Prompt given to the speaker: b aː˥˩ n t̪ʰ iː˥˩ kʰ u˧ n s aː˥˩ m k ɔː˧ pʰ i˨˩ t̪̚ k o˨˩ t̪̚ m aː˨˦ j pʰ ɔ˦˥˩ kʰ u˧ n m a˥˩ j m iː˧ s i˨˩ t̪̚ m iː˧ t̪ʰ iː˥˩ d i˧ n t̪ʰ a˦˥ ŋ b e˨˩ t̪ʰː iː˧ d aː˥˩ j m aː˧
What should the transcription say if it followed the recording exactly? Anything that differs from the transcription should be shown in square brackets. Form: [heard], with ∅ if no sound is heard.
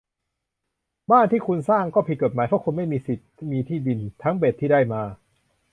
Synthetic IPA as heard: b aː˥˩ n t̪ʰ iː˥˩ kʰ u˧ n s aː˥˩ [ŋ] k [ɔː˥˩] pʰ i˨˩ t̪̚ k o˨˩ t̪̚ m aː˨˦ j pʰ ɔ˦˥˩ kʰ u˧ n m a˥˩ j m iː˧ s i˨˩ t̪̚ m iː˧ t̪ʰ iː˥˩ d i˧ n t̪ʰ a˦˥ ŋ b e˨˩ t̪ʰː [iː˥˩] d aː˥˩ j m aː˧